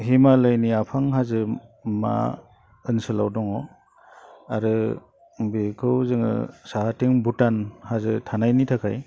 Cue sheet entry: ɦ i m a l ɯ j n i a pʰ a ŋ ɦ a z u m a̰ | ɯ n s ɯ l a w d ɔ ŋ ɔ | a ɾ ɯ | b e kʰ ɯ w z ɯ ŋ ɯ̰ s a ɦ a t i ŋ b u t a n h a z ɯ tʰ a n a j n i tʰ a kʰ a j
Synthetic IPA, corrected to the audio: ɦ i m a l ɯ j n i a pʰ a ŋ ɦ a z ɯ m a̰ | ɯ n s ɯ l a w d ɔ ŋ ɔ | a ɾ ɯ | b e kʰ ɯ w z ɯ ŋ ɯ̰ s a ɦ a t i ŋ b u t a n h a z ɯ tʰ a n a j n i tʰ a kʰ a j

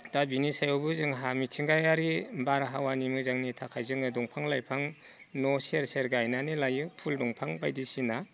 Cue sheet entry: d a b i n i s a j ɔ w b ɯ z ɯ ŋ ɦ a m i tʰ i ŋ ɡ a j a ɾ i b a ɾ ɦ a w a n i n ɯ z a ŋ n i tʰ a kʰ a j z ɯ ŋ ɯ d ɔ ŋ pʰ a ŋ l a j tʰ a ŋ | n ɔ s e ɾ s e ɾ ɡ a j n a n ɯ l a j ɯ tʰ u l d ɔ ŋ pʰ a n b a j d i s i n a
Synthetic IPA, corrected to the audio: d a b i n i s a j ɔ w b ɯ z ɯ ŋ ɦ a m i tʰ i ŋ ɡ a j a ɾ i b a ɾ ɦ a w a n i m ɯ z a ŋ n i tʰ a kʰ a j z ɯ ŋ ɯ d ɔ ŋ pʰ a ŋ l a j pʰ a ŋ | n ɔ s e ɾ s e ɾ ɡ a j n a n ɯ l a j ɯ pʰ u l d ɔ ŋ pʰ a ŋ b a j d i s i n a

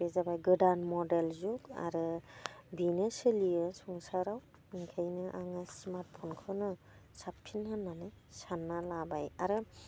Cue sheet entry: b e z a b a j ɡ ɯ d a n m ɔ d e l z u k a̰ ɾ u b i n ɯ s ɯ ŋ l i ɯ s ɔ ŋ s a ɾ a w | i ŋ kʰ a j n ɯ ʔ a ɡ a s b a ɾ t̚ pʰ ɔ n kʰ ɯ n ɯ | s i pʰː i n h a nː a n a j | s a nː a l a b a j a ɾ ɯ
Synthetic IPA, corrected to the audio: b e z a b a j ɡ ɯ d a n m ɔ d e l z u k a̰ ɾ ɯ b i n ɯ s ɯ l i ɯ s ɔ ŋ s a ɾ a w | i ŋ kʰ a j n ɯ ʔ a ŋ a s m a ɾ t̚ pʰ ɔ n kʰ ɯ n ɯ | s a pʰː i n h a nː a n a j | s a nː a l a b a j a ɾ ɯ

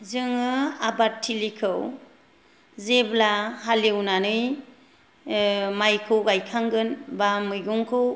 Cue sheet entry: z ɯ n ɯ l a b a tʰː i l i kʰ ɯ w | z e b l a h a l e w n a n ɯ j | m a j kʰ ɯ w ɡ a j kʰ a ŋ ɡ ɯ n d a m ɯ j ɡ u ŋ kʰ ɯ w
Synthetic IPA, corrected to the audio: z ɯ ŋ ɯ a b a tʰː i l i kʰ ɯ w | z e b l a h a l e w n a n ɯ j | m a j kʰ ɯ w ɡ a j kʰ a ŋ ɡ ɯ n b a m ɯ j ɡ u ŋ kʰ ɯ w

